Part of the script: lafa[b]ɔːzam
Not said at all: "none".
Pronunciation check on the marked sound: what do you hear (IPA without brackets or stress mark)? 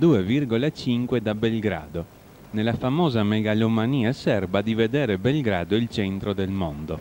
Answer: m